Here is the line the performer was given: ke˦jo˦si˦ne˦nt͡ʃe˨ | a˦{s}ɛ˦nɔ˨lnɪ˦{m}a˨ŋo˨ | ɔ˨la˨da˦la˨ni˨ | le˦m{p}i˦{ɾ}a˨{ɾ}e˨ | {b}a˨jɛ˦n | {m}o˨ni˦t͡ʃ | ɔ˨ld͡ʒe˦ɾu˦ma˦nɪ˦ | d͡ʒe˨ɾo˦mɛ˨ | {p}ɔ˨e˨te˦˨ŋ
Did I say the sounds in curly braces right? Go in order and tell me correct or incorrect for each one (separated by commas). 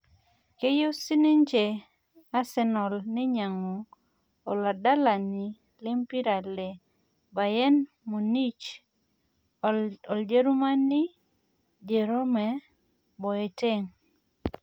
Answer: correct, incorrect, correct, correct, incorrect, correct, correct, incorrect